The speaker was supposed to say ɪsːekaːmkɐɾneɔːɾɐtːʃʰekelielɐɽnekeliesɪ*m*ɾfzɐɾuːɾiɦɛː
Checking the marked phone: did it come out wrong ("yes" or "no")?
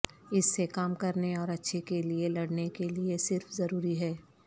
yes